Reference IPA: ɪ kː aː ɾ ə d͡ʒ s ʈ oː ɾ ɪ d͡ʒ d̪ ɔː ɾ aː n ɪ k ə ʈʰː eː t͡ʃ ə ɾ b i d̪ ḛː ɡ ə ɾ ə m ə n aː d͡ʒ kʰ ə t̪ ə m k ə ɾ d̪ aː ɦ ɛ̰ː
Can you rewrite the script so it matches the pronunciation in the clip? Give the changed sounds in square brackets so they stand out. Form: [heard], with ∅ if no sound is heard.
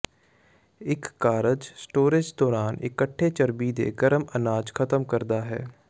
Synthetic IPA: ɪ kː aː ɾ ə d͡ʒ s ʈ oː ɾ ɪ d͡ʒ d̪ ɔː ɾ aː n ɪ k ə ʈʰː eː t͡ʃ ə ɾ b i d̪ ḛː ɡ ə ɾ ə m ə n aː d͡ʒ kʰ ə t̪ ə m k ə ɾ d̪ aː ɦ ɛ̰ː